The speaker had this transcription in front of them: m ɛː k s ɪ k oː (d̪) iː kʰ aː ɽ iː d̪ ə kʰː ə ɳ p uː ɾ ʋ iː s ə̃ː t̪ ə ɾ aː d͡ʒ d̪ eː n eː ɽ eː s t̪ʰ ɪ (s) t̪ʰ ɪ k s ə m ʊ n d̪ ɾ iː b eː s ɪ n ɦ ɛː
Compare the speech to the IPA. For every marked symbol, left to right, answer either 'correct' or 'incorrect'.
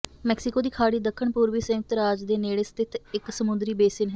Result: correct, incorrect

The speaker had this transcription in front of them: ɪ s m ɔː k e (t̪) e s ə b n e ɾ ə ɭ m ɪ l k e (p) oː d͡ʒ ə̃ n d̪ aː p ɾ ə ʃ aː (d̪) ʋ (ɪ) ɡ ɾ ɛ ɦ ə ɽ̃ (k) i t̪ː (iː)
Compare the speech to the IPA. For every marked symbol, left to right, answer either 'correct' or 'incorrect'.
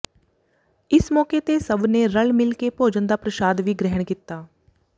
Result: correct, correct, correct, incorrect, correct, incorrect

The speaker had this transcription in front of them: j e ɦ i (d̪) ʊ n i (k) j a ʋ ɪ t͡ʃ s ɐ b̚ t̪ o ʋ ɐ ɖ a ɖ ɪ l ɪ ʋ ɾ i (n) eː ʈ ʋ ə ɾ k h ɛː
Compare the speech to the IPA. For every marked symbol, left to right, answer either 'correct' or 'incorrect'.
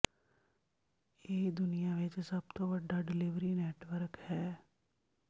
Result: correct, incorrect, correct

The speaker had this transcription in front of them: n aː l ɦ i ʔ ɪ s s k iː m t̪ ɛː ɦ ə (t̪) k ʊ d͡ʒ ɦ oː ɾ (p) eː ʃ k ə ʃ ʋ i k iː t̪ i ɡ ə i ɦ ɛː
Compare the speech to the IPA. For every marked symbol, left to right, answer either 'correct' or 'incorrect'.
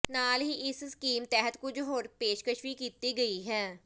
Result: correct, correct

